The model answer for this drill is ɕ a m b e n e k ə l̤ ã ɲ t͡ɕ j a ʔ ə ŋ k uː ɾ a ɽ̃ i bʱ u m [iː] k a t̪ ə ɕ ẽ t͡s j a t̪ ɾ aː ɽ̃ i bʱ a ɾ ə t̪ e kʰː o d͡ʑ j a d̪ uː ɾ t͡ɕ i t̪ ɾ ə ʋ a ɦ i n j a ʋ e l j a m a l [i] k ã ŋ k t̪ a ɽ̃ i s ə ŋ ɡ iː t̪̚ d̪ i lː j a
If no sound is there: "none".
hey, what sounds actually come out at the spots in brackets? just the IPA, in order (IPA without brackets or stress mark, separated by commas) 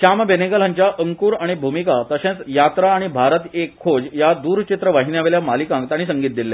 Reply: i, i